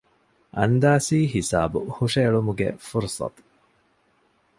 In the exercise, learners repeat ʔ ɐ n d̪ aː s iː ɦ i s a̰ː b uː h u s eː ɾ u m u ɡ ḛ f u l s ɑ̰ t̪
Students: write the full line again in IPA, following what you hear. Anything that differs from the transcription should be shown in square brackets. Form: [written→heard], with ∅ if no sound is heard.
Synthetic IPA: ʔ ɐ n d̪ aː s iː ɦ i s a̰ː b [uː→u] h u [s→ʂ] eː [ɾ→ɭ] u m u ɡ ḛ f u [l→ɾ] s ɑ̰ t̪